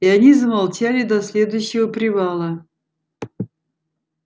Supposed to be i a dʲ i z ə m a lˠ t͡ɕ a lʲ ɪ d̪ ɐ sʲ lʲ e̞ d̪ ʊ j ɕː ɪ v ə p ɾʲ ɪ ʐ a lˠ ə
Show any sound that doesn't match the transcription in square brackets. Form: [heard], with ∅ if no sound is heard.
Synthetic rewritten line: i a [nʲ] i z ə m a lˠ t͡ɕ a lʲ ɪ d̪ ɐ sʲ lʲ e̞ d̪ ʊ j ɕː ɪ v ə p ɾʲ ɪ [v] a lˠ ə